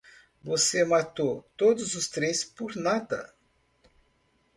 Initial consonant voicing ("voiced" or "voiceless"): voiced